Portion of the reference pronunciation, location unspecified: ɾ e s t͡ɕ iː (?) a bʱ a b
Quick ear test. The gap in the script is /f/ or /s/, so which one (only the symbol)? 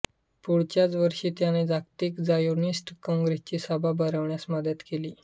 s